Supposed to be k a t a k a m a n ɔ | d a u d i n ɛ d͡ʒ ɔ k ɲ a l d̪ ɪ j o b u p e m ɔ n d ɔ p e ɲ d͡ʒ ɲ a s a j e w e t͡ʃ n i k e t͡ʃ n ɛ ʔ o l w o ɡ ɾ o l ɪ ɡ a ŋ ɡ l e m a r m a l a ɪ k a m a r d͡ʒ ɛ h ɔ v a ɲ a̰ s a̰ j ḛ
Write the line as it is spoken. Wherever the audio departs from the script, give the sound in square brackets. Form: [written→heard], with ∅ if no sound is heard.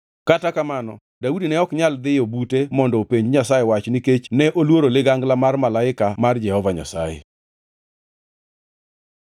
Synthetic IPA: k a t a k a m a n ɔ | d a u d i n ɛ [d͡ʒ→∅] ɔ k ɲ a l d̪ ɪ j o b u [p→t] e m ɔ n d ɔ p e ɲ d͡ʒ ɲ a s a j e w [e→a] t͡ʃ n i k e t͡ʃ n ɛ ʔ o l w o [ɡ→∅] ɾ o l ɪ ɡ a ŋ ɡ l [e→a] m a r m a l a ɪ k a m a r d͡ʒ ɛ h ɔ v a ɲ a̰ s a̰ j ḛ